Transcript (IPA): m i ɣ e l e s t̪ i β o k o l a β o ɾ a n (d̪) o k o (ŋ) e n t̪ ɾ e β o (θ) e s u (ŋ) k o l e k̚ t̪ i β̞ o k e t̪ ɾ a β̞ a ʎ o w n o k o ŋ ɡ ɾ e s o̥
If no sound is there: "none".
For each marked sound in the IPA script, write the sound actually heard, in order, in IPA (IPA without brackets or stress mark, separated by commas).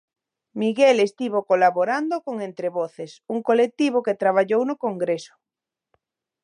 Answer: d̪, ŋ, θ, ŋ